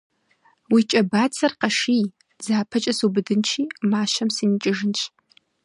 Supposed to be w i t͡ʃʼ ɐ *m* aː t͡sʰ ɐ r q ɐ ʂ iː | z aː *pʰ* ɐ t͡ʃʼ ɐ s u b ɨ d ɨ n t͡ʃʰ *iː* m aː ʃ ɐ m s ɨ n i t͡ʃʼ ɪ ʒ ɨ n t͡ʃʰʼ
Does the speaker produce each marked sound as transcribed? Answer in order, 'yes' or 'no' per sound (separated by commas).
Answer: no, yes, yes